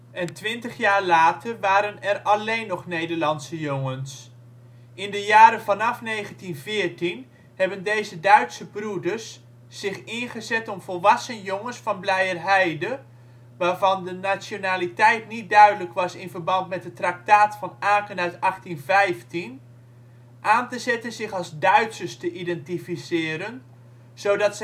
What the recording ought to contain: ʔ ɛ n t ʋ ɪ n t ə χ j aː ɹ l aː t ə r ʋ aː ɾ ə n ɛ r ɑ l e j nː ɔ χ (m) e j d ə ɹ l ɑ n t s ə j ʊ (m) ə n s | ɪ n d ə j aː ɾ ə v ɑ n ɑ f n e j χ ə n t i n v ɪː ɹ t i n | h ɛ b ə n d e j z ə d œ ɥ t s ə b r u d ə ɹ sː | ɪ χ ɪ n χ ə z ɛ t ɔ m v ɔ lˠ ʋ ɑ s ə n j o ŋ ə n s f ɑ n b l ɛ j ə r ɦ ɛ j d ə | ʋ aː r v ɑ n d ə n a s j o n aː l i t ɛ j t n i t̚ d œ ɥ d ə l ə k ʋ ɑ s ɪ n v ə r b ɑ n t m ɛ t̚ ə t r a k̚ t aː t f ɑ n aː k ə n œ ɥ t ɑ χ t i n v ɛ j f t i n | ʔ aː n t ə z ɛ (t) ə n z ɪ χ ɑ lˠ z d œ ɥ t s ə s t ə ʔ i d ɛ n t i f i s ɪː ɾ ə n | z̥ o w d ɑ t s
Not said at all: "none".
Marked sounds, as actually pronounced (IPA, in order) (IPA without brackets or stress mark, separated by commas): n, ŋ, t